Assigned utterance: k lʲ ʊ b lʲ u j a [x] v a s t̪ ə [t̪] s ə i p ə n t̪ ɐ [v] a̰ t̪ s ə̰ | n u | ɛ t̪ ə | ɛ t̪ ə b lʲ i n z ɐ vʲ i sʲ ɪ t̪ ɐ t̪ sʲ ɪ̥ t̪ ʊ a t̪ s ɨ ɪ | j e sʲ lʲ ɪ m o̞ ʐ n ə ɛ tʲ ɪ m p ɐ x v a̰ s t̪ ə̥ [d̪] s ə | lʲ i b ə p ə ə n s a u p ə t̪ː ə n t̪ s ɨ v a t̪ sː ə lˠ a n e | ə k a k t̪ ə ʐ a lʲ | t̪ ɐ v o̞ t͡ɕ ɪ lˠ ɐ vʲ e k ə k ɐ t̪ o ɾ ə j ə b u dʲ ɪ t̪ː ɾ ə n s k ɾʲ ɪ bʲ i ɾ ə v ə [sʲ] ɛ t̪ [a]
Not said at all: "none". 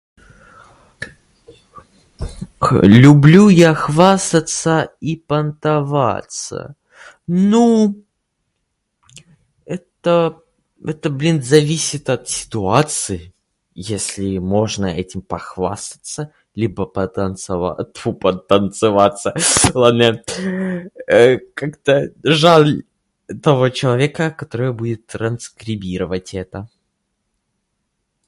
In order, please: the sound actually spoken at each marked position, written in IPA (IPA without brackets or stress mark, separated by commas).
x, t̪, v, t̪, tʲ, ə